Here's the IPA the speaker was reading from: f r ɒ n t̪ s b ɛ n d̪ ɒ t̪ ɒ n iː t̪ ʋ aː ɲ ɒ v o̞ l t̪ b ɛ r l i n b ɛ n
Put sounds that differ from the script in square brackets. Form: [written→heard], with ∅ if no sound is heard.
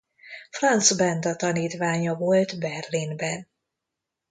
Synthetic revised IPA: f r ɒ n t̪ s b ɛ n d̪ ɒ t̪ ɒ n iː t̪ ʋ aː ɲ ɒ v o̞ l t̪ b ɛ r l i n b ɛ n